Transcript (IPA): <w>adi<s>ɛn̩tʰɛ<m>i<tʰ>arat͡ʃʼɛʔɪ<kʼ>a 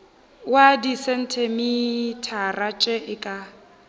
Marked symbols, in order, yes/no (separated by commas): yes, yes, yes, yes, yes